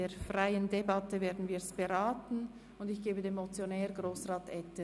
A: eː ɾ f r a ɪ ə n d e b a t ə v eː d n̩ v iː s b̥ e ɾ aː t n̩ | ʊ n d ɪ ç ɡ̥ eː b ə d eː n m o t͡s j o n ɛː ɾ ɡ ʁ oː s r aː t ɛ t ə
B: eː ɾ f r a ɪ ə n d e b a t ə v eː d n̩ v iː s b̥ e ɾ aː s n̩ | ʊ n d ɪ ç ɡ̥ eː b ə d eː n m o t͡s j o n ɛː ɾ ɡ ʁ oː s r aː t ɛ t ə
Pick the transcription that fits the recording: A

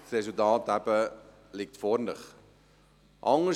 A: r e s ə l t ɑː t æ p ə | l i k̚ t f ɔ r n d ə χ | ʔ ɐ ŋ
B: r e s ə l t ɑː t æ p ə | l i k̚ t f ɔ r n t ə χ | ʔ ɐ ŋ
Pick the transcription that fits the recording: A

